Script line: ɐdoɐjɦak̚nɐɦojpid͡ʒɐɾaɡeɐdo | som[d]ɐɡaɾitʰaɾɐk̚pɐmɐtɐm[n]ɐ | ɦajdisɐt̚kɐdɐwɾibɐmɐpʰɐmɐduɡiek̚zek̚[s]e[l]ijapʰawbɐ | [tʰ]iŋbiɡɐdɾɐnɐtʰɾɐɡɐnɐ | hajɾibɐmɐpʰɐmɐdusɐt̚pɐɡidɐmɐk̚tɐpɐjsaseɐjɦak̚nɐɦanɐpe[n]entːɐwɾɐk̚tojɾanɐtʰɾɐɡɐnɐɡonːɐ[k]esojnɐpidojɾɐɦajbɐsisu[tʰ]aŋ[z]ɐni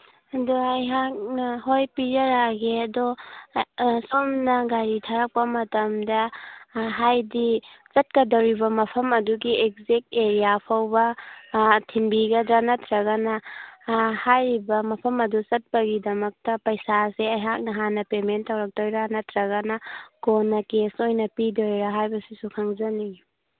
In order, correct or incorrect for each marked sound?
incorrect: n, incorrect: d, incorrect: t, incorrect: ɾ, correct, incorrect: m, correct, incorrect: kʰ, correct

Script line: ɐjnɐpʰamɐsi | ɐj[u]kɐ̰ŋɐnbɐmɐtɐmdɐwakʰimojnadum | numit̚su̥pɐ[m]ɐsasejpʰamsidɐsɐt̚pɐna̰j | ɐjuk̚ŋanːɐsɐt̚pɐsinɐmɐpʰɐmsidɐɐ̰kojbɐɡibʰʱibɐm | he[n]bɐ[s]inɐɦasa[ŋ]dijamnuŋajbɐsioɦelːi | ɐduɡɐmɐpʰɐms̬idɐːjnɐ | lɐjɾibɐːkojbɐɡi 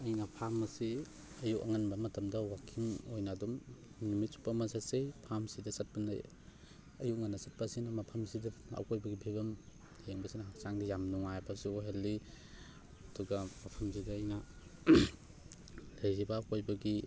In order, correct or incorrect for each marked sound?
correct, correct, incorrect: ŋ, correct, correct

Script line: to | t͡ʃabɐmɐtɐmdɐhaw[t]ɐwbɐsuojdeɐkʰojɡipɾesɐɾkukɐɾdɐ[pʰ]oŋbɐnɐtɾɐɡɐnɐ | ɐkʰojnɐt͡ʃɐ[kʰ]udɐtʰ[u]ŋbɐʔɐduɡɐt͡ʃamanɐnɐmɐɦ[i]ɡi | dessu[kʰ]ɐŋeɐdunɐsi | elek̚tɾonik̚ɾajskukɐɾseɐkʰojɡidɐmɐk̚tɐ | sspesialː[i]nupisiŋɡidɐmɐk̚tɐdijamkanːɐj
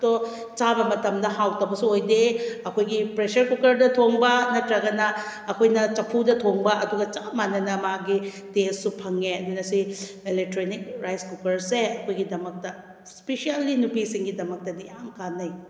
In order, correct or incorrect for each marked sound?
correct, incorrect: tʰ, incorrect: pʰ, incorrect: o, incorrect: a, incorrect: pʰ, correct

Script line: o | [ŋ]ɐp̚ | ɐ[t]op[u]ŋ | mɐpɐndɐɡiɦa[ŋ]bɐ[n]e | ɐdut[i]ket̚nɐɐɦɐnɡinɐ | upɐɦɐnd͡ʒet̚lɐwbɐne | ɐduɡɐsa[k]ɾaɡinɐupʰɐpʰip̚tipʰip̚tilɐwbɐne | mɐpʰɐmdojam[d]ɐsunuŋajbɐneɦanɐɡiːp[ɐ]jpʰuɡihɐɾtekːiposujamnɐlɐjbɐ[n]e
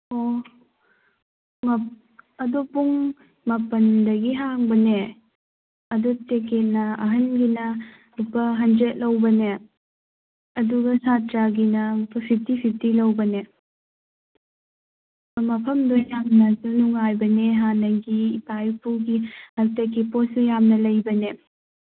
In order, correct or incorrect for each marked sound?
correct, incorrect: d, correct, correct, correct, incorrect: e, incorrect: t, incorrect: n, incorrect: a, correct

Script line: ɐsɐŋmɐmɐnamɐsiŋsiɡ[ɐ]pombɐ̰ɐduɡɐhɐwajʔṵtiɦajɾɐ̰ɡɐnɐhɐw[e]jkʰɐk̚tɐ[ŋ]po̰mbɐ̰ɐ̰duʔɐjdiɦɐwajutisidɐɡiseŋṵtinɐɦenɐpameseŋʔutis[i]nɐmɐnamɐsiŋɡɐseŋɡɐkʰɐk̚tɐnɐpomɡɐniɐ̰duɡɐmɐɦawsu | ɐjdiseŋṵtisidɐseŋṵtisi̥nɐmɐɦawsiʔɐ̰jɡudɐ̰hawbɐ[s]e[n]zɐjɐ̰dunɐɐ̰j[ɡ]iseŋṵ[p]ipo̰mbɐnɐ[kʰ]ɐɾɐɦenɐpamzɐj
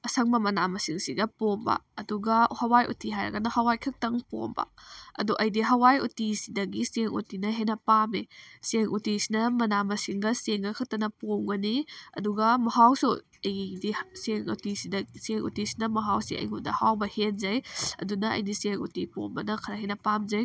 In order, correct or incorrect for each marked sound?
correct, incorrect: a, correct, correct, incorrect: h, correct, incorrect: d, incorrect: t, correct

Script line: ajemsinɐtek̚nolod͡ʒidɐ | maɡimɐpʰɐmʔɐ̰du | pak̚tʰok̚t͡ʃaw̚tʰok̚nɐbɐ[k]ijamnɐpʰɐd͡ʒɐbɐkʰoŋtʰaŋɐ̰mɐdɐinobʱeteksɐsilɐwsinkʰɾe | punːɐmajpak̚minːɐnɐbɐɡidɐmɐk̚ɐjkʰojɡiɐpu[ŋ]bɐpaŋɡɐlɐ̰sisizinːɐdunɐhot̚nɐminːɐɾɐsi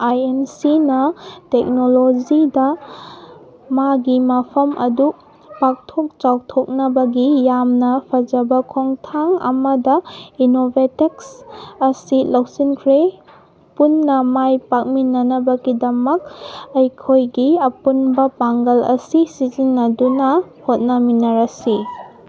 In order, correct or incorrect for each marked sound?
incorrect: ɡ, incorrect: n

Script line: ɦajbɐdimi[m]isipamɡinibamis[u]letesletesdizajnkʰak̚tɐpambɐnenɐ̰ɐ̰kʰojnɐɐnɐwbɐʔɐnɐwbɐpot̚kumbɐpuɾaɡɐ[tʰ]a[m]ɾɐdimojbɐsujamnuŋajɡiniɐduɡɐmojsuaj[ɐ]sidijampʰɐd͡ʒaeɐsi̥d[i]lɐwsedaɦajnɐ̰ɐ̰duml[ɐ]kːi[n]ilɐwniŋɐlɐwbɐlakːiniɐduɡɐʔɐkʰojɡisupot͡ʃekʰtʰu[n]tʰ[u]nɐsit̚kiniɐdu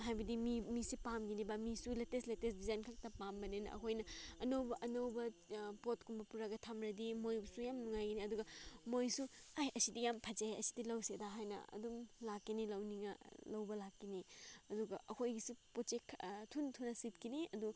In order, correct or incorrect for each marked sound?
correct, correct, correct, correct, correct, correct, incorrect: a, correct, correct, correct

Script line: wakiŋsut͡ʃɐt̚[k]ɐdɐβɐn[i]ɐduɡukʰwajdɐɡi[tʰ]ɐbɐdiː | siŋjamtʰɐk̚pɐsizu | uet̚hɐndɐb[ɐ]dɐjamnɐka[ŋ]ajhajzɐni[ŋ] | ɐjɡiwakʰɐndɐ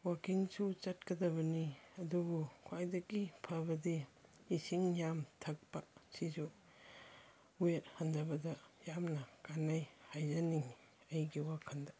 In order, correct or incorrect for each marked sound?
correct, correct, incorrect: pʰ, correct, incorrect: n, correct

